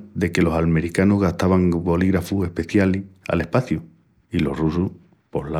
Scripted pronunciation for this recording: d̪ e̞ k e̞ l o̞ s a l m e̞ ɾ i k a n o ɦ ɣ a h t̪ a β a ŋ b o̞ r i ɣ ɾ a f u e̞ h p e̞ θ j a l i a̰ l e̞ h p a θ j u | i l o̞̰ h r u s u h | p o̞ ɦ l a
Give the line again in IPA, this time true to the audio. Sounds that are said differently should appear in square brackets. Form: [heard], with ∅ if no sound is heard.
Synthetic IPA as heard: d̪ e̞ k e̞ l o̞ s a l m e̞ ɾ i k a n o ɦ ɣ a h t̪ a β a ŋ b o̞ [l] i ɣ ɾ a f u e̞ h p e̞ θ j a l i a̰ l e̞ h p a θ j u | i l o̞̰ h r u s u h | p o̞ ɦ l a